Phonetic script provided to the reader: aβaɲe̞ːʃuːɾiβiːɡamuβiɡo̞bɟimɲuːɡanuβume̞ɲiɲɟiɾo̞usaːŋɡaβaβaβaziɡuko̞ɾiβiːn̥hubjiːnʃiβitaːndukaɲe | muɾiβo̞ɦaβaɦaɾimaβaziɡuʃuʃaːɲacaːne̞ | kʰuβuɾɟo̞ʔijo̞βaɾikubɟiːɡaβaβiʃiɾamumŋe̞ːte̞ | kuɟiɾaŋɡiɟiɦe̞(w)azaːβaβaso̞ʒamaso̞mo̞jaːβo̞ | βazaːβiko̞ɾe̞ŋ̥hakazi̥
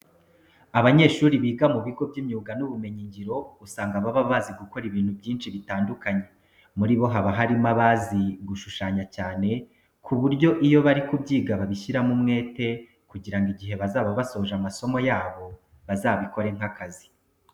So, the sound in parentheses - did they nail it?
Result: no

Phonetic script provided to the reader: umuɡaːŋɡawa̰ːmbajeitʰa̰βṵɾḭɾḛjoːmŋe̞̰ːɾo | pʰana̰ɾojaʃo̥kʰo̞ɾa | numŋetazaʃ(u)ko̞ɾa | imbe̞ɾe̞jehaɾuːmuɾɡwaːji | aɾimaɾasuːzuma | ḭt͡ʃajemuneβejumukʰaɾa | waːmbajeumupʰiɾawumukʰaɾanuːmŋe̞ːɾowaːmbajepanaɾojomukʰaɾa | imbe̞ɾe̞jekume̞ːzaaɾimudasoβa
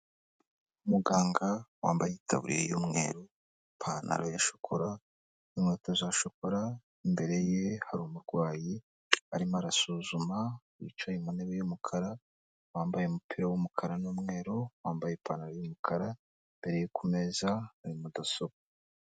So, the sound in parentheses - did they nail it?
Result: no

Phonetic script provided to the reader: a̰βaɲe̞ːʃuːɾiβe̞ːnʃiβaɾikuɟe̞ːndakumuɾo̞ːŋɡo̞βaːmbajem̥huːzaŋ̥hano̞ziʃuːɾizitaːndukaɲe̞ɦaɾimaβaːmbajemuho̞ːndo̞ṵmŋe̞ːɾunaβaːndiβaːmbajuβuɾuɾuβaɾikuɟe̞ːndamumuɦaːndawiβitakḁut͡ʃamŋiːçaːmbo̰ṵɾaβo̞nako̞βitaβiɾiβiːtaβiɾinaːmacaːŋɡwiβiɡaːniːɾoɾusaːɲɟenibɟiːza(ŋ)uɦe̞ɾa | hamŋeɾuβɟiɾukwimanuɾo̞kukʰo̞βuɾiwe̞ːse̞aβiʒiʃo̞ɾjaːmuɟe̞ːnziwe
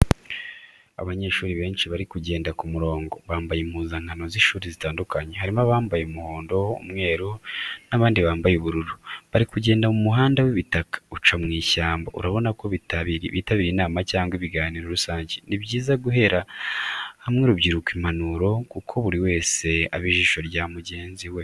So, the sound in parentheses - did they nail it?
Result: no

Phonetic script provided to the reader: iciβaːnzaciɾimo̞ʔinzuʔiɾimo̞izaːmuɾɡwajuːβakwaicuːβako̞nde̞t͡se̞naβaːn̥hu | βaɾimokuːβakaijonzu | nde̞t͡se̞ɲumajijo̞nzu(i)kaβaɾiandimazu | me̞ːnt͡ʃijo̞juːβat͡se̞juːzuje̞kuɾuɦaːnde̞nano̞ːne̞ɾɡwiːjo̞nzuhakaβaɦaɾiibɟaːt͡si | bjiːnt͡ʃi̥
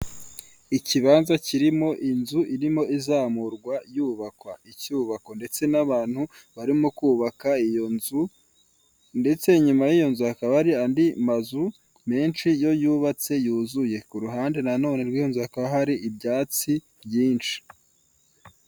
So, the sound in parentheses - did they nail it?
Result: no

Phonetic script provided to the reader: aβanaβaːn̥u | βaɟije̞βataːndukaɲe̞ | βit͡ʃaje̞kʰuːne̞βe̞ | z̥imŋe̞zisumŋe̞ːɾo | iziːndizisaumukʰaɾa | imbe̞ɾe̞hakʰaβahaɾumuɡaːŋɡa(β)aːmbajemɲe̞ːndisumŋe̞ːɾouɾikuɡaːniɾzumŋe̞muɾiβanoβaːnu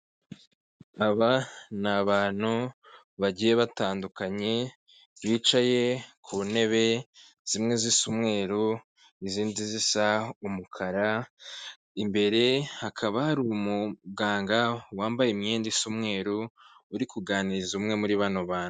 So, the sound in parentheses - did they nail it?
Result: no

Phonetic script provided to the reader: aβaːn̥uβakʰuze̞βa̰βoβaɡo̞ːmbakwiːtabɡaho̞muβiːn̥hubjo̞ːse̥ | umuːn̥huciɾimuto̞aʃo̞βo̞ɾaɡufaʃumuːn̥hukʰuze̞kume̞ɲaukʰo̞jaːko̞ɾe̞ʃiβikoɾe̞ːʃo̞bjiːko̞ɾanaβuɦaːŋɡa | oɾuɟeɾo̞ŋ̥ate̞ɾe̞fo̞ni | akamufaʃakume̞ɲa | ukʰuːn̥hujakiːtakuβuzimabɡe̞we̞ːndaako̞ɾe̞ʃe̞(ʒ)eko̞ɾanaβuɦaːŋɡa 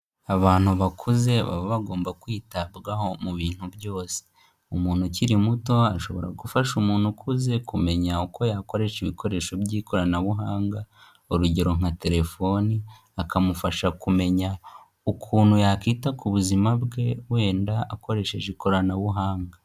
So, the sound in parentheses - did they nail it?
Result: yes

